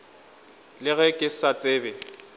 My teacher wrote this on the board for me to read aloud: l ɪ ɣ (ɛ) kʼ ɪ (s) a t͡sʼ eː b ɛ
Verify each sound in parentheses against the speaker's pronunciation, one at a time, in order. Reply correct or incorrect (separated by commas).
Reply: correct, correct